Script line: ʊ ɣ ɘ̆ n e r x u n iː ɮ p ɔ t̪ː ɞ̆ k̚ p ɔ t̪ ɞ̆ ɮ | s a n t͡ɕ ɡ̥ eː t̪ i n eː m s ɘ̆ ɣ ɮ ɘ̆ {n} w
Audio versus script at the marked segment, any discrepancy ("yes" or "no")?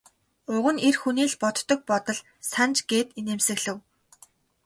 yes